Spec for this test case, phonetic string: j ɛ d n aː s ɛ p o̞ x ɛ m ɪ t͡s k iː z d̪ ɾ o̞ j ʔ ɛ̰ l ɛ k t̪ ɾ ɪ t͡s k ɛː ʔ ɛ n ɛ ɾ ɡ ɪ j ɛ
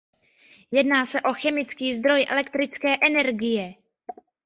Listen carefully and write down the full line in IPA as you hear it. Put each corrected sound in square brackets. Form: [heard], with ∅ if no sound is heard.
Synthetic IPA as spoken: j ɛ d n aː s ɛ [ʔ] o̞ x ɛ m ɪ t͡s k iː z d̪ ɾ o̞ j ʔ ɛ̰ l ɛ k t̪ ɾ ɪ t͡s k ɛː ʔ ɛ n ɛ ɾ ɡ ɪ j ɛ